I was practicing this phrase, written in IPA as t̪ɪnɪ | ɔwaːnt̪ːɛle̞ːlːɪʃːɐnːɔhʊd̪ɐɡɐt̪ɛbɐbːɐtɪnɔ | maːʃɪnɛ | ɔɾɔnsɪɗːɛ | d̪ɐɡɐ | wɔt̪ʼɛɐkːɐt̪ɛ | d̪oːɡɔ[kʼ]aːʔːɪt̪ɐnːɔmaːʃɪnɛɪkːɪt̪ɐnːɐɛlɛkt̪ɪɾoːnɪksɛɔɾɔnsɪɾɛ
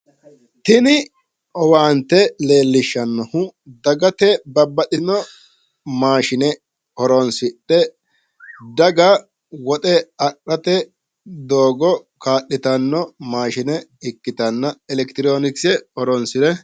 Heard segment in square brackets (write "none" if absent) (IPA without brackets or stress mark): k